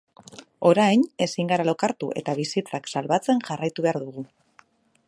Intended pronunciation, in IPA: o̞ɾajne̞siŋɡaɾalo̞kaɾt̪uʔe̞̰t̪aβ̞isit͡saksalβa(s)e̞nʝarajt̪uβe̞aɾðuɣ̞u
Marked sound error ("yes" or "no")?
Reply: yes